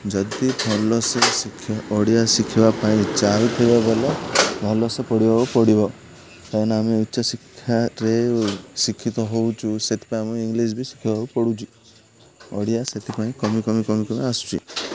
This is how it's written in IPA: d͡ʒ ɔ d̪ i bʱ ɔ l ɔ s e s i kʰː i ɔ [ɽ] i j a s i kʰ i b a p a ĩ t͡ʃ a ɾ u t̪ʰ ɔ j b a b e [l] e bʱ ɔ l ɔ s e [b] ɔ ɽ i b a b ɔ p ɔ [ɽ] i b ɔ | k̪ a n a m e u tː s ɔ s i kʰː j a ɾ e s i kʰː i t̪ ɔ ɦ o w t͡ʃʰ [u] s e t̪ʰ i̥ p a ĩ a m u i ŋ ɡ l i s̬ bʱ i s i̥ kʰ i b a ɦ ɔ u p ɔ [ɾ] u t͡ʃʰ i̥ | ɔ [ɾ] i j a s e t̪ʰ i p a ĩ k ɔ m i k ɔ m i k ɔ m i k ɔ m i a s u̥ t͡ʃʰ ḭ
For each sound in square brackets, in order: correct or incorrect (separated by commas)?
correct, correct, incorrect, correct, correct, incorrect, incorrect